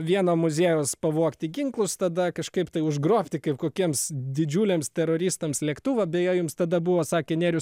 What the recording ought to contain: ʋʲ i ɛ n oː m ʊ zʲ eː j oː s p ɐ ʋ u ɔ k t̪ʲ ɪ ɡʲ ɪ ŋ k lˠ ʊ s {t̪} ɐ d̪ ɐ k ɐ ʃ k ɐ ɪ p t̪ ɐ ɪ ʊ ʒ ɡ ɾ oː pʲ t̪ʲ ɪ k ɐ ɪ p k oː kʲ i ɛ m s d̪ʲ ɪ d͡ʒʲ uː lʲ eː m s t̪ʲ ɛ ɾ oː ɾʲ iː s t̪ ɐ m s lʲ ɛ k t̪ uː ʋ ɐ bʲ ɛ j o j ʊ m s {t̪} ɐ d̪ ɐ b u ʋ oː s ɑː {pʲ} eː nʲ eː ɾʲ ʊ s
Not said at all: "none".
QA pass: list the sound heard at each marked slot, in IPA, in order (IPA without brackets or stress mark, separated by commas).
t̪, t̪, kʲ